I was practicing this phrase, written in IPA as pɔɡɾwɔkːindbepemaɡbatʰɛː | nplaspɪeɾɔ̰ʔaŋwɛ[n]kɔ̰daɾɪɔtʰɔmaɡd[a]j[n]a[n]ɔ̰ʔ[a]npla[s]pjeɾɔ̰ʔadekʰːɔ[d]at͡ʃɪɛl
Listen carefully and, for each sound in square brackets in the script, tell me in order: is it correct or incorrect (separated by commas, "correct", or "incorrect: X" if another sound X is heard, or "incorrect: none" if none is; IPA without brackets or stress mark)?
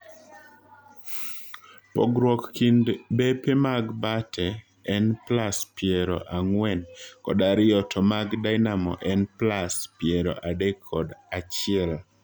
correct, correct, correct, incorrect: m, incorrect: ɛ, correct, correct